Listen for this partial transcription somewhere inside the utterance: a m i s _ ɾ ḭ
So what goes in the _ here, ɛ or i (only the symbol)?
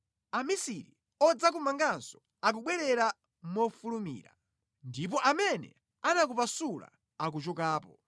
i